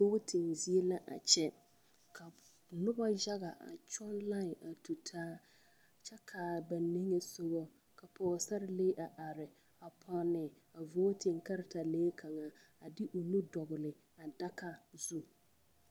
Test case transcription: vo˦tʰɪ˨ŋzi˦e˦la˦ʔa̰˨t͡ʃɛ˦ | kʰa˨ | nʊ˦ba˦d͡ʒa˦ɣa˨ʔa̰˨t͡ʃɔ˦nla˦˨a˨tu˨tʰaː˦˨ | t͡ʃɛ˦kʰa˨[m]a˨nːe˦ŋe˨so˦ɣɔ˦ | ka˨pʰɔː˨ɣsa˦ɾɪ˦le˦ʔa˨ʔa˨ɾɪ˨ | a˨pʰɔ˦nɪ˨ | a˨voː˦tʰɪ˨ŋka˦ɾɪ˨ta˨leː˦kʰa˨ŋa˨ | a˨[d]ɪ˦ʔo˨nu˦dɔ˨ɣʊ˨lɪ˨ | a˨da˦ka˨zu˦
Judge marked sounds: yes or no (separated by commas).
no, yes